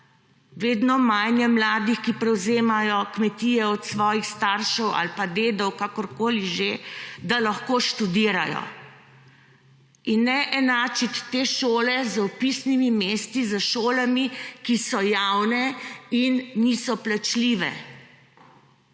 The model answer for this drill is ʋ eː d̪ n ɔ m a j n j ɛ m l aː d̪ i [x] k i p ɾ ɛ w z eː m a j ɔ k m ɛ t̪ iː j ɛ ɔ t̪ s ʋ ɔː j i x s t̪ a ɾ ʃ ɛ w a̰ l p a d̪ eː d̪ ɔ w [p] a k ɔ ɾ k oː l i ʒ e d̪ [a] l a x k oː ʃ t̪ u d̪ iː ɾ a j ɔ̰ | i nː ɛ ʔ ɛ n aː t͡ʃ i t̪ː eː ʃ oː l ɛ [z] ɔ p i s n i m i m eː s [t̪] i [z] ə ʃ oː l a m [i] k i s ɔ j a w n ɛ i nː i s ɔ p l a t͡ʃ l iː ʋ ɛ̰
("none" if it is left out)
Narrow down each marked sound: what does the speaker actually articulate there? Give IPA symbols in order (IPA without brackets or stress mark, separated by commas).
x, k, a, z, t̪, z, i